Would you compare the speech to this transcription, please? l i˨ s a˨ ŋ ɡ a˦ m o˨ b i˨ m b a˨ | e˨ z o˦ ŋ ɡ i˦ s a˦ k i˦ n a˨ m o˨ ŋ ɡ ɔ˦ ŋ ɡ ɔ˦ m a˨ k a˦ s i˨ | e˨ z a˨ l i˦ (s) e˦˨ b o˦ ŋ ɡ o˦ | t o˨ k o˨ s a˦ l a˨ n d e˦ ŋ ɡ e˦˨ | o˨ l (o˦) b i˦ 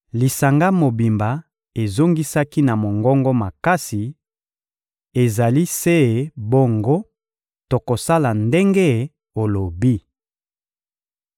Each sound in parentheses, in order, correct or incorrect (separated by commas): correct, incorrect